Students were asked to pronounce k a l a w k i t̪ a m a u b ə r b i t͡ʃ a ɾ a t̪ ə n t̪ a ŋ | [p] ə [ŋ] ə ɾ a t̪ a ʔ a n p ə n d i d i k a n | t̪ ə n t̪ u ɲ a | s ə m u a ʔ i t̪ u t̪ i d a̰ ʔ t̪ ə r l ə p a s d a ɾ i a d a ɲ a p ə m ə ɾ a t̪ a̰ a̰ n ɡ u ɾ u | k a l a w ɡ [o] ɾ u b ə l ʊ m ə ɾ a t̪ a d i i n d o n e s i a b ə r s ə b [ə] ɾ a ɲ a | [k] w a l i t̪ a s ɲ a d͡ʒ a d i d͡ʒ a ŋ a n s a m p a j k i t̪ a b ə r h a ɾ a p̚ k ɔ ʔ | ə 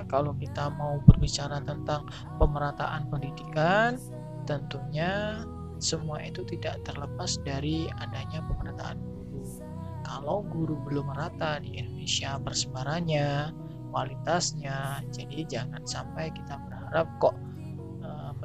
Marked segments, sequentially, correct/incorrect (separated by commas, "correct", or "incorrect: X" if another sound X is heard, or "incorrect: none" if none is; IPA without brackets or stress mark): correct, incorrect: m, incorrect: u, incorrect: a, correct